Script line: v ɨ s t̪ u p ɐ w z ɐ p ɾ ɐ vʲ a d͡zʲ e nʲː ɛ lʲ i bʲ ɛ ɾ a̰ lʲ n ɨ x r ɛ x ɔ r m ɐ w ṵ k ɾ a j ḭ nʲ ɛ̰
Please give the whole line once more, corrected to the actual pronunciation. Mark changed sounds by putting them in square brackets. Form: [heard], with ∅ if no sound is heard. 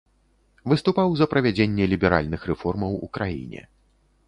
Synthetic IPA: v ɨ s t̪ u p [a] w z ɐ p ɾ ɐ vʲ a d͡zʲ e nʲː ɛ lʲ i bʲ ɛ ɾ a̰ lʲ n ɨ x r ɛ [f] ɔ r m ɐ w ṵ k ɾ a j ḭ nʲ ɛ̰